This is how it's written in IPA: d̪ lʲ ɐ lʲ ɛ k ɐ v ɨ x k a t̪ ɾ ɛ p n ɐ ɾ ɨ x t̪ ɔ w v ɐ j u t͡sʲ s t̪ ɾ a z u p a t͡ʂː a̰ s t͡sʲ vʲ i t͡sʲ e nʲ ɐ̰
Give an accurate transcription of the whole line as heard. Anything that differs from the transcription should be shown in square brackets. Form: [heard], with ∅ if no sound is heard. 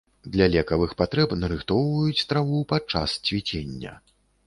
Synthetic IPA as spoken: d̪ lʲ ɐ lʲ ɛ k ɐ v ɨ x [p] a t̪ ɾ ɛ p n ɐ ɾ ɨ x t̪ ɔ w v ɐ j u t͡sʲ s t̪ ɾ a [v] u p a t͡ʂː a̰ s t͡sʲ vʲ i t͡sʲ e [nʲː] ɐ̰